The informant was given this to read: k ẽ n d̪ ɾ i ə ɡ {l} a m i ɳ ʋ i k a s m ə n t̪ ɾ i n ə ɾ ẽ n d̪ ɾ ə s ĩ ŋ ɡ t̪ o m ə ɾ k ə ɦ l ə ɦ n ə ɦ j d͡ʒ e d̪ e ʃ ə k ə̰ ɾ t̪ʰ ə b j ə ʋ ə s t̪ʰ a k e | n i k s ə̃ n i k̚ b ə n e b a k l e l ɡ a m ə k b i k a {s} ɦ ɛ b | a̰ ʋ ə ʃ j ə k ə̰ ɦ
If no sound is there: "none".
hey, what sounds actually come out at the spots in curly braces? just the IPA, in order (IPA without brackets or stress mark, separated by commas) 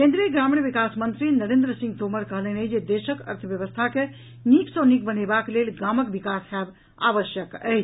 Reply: ɾ, s